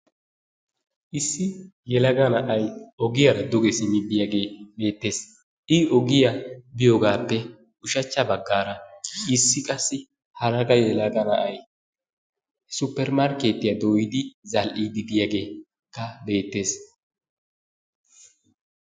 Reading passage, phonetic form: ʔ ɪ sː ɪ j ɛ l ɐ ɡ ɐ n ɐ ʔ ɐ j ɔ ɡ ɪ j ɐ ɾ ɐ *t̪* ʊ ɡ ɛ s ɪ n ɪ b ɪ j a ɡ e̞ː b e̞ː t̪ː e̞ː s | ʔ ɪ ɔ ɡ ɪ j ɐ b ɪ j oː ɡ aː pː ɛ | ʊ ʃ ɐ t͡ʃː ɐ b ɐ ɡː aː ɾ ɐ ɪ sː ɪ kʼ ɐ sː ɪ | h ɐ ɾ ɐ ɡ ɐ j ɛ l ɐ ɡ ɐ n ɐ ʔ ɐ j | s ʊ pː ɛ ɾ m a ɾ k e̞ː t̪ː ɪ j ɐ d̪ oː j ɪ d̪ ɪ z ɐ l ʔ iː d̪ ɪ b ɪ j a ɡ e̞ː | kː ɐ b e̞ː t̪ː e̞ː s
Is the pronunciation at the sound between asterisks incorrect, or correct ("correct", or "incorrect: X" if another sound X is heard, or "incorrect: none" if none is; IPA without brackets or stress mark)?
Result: incorrect: d̪